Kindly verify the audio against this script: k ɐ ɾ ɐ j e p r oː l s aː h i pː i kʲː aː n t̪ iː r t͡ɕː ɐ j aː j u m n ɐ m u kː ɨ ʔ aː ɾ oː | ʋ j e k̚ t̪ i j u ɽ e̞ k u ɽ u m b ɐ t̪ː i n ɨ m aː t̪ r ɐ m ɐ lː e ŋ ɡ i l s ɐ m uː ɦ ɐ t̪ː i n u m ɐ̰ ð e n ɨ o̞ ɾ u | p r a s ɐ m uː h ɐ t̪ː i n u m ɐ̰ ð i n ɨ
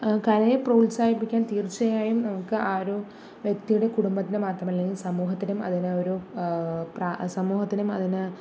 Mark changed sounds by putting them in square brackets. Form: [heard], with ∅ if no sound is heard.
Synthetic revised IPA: k ɐ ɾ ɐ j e p r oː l s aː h i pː i kʲː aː n t̪ iː r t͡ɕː ɐ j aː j u m n ɐ m u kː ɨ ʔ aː ɾ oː | ʋ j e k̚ t̪ i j u ɽ e̞ k u ɽ u m b ɐ t̪ː i n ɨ m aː t̪ r ɐ m ɐ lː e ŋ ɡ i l s ɐ m uː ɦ ɐ t̪ː i n u m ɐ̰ ð [i] n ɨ o̞ ɾ u | p r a s ɐ m uː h ɐ t̪ː i n u m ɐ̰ ð i n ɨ